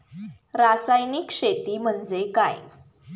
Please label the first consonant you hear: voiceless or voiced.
voiced